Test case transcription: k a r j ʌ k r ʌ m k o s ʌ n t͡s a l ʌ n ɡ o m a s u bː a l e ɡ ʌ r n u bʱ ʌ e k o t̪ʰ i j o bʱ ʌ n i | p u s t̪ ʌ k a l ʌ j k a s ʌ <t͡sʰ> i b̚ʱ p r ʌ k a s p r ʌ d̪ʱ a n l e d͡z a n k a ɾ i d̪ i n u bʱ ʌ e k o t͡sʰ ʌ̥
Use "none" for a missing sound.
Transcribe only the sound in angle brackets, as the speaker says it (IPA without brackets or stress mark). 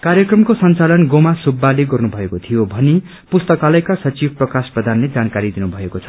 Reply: t͡s